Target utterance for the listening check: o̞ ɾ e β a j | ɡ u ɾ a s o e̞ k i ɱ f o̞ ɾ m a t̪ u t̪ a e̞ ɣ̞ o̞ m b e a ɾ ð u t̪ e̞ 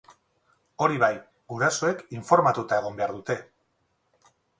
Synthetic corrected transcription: o̞ ɾ i β a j | ɡ u ɾ a s o e̞ k i ɱ f o̞ ɾ m a t̪ u t̪ a e̞ ɣ̞ o̞ m b e a ɾ ð u t̪ e̞

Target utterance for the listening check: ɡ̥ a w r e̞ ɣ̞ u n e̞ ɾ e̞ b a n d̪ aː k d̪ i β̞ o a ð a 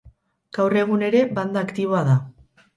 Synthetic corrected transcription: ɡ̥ a w r e̞ ɣ̞ u n e̞ ɾ e̞ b a n d̪ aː k t̪ i β̞ o a ð a

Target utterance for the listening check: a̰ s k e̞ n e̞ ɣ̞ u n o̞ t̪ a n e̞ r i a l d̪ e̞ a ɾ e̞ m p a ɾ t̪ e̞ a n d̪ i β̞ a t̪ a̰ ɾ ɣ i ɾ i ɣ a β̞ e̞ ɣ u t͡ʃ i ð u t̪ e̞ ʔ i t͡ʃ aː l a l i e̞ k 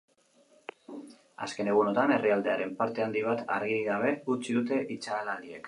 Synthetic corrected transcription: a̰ s k e̞ n e̞ ɣ̞ u n o̞ t̪ a n e̞ r i a l d̪ e̞ a ɾ e̞ m p a ɾ t̪ e̞ a n d̪ i β̞ a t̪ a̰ ɾ ɣ i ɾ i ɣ a β̞ e̞ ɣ u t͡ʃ i ð u t̪ e̞ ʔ i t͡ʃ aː l a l i e̞ k

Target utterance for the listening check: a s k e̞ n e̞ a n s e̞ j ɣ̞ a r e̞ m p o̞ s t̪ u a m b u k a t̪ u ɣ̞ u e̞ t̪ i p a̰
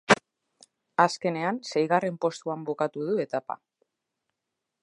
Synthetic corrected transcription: a s k e̞ n e̞ a n s e̞ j ɣ̞ a r e̞ m p o̞ s t̪ u a m b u k a t̪ u ð̞ u e̞ t̪ a p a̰

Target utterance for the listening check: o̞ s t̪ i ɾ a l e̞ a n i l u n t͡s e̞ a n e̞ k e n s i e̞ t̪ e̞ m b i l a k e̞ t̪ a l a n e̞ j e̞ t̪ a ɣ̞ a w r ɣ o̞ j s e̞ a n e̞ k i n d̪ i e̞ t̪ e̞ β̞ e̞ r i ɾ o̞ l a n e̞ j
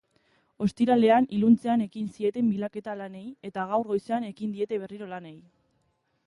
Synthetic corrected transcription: o̞ s t̪ i ɾ a l e̞ a n i l u n t͡s e̞ a n e̞ k i n s i e̞ t̪ e̞ m b i l a k e̞ t̪ a l a n e̞ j e̞ t̪ a ɣ̞ a w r ɣ o̞ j s e̞ a n e̞ k i n d̪ i e̞ t̪ e̞ β̞ e̞ r i ɾ o̞ l a n e̞ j

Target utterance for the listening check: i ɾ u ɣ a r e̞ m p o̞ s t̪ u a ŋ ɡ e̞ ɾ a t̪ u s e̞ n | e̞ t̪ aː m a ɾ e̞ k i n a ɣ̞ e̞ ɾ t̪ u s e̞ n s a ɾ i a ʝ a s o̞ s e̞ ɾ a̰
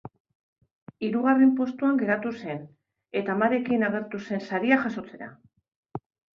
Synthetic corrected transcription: i ɾ u ɣ a r e̞ m p o̞ s t̪ u a ŋ ɡ e̞ ɾ a t̪ u s e̞ n | e̞ t̪ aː m a ɾ e̞ k i n a ɣ̞ e̞ ɾ t̪ u s e̞ n s a ɾ i a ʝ a s o̞ t͡s e̞ ɾ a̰

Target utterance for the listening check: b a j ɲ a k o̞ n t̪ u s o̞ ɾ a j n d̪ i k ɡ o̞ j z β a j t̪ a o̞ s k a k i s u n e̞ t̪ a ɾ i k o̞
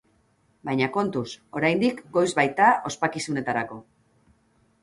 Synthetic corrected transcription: b a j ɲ a k o̞ n t̪ u s o̞ ɾ a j n d̪ i k ɡ o̞ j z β a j t̪ a o̞ s p a k i s u n e̞ t̪ a ɾ a k o̞

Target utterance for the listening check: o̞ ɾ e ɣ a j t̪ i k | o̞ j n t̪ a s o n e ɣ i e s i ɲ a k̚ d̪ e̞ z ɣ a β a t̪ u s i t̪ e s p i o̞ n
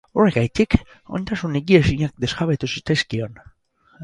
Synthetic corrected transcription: o̞ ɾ e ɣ a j t̪ i k | o̞ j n t̪ a s u n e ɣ i e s i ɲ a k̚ d̪ e̞ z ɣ a β e t̪ u s i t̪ e s k i o̞ n

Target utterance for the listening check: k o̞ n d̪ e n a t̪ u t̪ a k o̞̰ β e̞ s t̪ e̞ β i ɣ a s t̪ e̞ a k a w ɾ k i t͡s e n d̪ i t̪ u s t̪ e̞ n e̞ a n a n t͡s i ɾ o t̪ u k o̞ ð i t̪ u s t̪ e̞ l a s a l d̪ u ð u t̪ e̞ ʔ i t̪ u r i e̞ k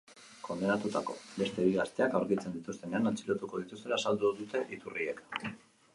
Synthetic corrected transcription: k o̞ n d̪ e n a t̪ u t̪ a k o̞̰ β e̞ s t̪ e̞ β i ɣ a s t̪ e̞ a k a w ɾ k i t͡s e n d̪ i t̪ u s t̪ e̞ n e̞ a n a n t͡s i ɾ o t̪ u k o̞ ð i t̪ u s t̪ e̞ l a s a l d̪ u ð u t̪ e̞ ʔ i t̪ u r i e̞ k

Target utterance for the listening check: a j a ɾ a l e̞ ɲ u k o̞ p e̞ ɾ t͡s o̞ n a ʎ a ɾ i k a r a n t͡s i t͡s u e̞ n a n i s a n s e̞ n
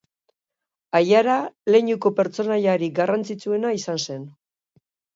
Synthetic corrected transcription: a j a ɾ a l e̞ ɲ u k o̞ p e̞ ɾ t͡s o̞ n a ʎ a ɾ i ɡ a r a n t͡s i t͡s u e̞ n a i s a n s e̞ n

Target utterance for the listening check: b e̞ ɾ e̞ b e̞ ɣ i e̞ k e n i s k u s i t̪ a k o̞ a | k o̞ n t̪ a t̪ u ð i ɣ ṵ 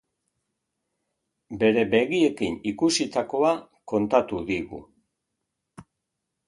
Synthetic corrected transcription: b e̞ ɾ e̞ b e̞ ɣ i e̞ k i n i k u s i t̪ a k o̞ a | k o̞ n t̪ a t̪ u ð i ɣ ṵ

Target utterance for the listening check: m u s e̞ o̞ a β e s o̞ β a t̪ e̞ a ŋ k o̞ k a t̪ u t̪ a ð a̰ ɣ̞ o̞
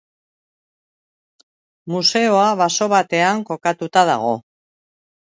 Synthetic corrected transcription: m u s e̞ o̞ a β a s o̞ β a t̪ e̞ a ŋ k o̞ k a t̪ u t̪ a ð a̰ ɣ̞ o̞

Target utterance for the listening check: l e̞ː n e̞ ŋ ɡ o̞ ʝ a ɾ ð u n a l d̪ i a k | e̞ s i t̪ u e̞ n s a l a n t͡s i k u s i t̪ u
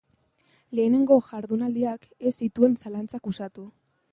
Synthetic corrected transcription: l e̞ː n e̞ ŋ ɡ o̞ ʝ a ɾ ð u n a l d̪ i a k | e̞ s i t̪ u e̞ n s a l a n t͡s a k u s a t̪ u

